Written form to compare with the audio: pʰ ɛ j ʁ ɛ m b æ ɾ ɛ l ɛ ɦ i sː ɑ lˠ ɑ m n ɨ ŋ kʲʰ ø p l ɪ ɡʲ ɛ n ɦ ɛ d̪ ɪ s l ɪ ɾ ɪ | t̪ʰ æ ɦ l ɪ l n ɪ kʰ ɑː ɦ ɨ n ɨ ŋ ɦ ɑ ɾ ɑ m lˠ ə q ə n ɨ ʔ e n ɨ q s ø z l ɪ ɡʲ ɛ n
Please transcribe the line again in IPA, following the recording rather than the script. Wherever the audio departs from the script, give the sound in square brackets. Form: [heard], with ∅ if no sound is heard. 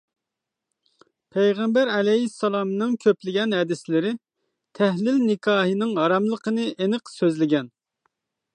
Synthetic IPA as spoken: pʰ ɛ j ʁ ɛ m b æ ɾ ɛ l ɛ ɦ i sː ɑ lˠ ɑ m n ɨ ŋ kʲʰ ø p l ɪ ɡʲ ɛ n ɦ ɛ d̪ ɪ s l ɪ ɾ ɪ | t̪ʰ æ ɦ l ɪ l n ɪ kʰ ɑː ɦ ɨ n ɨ ŋ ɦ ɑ ɾ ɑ m lˠ ə q ə n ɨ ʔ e n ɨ q s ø z l ɪ ɡʲ ɛ n

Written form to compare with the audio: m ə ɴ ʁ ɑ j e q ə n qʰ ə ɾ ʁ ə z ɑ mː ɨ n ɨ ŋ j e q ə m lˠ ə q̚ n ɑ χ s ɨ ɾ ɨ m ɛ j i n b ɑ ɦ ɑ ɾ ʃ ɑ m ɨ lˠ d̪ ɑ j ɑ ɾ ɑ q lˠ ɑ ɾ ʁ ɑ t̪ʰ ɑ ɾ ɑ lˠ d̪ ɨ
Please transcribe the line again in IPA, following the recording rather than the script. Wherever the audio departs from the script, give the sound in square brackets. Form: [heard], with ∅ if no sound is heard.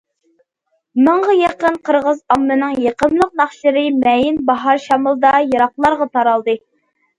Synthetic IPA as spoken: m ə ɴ ʁ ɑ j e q ə n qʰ ə ɾ ʁ ə z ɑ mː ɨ n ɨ ŋ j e q ə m lˠ ə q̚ n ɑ χ [ʃ] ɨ ɾ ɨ m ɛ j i n b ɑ ɦ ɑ ɾ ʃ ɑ m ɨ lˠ d̪ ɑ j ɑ ɾ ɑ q lˠ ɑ ɾ ʁ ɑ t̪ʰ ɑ ɾ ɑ lˠ d̪ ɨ

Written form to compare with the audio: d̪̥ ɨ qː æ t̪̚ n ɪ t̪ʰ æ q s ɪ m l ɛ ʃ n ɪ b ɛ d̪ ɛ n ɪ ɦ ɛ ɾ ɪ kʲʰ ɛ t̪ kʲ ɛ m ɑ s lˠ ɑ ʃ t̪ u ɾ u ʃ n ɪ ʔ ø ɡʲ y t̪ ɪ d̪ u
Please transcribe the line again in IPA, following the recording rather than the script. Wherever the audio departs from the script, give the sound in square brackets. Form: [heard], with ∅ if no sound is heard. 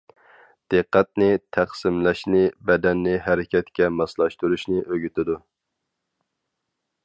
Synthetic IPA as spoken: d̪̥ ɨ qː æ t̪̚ n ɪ t̪ʰ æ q s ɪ m l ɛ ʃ n ɪ b ɛ d̪ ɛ [nː] ɪ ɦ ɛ ɾ ɪ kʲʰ ɛ t̪ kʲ ɛ m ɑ s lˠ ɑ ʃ t̪ u ɾ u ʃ n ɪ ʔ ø ɡʲ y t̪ ɪ d̪ u

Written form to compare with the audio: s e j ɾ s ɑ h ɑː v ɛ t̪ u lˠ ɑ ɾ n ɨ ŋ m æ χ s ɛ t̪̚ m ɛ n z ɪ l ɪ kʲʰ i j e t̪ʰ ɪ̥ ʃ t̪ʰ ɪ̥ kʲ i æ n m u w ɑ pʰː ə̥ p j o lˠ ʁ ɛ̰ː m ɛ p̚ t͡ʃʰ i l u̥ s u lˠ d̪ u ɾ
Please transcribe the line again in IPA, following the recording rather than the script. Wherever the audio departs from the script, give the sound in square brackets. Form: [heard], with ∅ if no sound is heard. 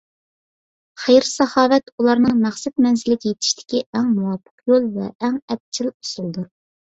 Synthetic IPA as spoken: [χ] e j ɾ s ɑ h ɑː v ɛ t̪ u lˠ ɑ ɾ n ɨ ŋ m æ χ s ɛ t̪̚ m ɛ n z ɪ l ɪ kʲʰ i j e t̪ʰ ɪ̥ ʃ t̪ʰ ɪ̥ kʲ i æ [ŋ] m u w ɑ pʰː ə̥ [q] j o lˠ [v] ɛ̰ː [ŋ] ɛ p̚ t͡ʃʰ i l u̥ s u lˠ d̪ u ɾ

